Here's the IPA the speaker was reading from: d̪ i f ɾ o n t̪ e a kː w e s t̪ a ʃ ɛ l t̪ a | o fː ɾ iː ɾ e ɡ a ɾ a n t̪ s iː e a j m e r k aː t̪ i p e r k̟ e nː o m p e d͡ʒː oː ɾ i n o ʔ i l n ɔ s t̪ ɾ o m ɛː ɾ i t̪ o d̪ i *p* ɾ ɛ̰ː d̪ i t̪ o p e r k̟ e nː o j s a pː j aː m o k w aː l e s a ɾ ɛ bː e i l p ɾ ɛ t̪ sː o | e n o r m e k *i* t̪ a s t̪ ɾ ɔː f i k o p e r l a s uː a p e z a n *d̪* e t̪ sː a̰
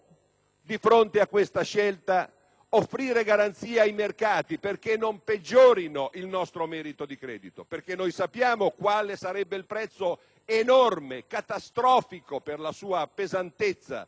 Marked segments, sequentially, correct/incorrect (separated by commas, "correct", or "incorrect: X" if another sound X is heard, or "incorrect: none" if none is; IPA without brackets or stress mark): incorrect: k, incorrect: a, incorrect: t̪